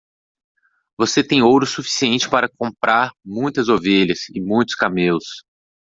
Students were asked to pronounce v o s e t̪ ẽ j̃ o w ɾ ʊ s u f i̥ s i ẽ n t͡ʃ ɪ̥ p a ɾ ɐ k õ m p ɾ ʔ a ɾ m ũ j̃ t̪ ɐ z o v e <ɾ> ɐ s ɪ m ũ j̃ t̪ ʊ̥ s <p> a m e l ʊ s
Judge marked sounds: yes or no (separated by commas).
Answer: no, no